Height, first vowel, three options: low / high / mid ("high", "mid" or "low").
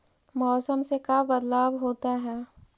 mid